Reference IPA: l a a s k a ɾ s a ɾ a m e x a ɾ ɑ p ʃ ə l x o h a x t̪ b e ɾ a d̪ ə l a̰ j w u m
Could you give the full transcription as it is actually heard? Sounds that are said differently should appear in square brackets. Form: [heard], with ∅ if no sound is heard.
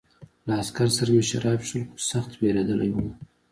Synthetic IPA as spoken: l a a s k a ɾ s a ɾ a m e [ʃ] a ɾ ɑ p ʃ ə l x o [s] a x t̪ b e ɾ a d̪ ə l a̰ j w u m